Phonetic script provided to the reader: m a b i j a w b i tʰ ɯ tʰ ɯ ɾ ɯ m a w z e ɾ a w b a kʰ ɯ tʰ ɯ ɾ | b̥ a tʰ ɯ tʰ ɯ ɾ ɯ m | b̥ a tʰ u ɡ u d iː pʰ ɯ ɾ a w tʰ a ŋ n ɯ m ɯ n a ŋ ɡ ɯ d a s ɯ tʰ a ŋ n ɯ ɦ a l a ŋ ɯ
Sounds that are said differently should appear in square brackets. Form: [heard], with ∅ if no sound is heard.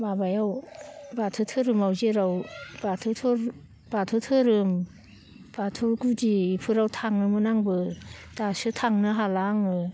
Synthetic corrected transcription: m a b [a] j a w b [a] tʰ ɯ tʰ ɯ ɾ ɯ m a w z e ɾ a w b a [tʰ] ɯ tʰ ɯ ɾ | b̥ a tʰ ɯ tʰ ɯ ɾ ɯ m | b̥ a tʰ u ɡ u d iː pʰ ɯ ɾ a w tʰ a ŋ n ɯ m ɯ n a ŋ [b] ɯ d a s ɯ tʰ a ŋ n ɯ ɦ a l a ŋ ɯ